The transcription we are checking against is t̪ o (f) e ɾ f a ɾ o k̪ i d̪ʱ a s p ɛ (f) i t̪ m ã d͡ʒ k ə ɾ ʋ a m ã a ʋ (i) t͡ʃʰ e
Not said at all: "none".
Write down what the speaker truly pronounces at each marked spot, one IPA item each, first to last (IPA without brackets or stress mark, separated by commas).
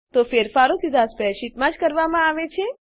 f, ʃ, e